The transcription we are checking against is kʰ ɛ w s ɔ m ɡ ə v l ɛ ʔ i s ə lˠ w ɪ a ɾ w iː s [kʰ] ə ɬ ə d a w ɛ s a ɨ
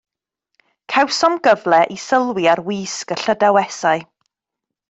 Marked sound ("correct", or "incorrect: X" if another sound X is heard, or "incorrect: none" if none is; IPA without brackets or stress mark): incorrect: k